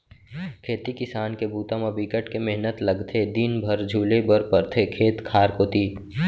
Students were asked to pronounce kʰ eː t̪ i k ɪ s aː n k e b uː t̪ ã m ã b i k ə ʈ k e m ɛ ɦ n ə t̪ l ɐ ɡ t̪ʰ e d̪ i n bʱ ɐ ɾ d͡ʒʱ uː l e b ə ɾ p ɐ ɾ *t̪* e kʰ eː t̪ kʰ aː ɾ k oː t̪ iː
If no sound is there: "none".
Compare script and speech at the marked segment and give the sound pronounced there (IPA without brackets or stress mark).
t̪ʰ